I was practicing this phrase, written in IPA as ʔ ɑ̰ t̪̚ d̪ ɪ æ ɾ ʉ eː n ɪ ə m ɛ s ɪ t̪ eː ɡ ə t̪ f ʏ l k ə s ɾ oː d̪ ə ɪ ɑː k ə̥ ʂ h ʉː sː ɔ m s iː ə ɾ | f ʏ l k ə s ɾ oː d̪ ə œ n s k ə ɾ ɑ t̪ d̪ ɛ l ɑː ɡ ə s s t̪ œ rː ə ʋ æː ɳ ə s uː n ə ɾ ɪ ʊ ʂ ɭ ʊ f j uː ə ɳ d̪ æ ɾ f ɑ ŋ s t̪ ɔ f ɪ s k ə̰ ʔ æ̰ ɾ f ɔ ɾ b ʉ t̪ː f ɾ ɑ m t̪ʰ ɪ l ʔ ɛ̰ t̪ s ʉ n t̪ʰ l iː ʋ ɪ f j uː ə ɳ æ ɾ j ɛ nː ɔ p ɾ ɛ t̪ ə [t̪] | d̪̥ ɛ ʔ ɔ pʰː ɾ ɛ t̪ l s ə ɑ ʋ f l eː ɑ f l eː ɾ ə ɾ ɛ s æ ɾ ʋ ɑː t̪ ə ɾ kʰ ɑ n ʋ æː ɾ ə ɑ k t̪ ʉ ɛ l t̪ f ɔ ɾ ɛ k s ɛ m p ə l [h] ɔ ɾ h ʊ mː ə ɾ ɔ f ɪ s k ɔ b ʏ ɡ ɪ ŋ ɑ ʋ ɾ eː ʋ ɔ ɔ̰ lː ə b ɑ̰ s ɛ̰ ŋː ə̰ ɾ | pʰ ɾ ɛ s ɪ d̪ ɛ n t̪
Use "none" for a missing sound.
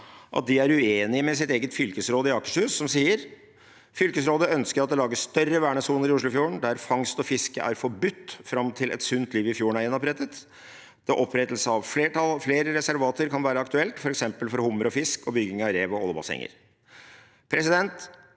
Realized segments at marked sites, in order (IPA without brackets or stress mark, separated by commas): t̪, f